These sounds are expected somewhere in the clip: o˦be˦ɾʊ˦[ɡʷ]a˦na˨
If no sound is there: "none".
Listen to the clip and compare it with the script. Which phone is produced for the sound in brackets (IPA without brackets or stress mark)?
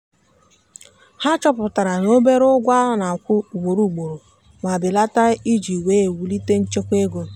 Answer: ɡʷ